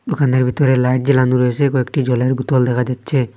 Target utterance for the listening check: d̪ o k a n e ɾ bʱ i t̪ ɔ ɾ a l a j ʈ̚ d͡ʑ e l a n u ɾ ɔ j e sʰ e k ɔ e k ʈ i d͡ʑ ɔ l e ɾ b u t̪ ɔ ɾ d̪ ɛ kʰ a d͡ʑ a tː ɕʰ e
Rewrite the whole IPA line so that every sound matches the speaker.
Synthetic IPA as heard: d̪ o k a n e ɾ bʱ i t̪ ɔ ɾ e l a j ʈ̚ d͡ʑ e l a n u ɾ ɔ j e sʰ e k ɔ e k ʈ i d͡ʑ ɔ l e ɾ b u t̪ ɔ l d̪ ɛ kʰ a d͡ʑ a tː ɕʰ e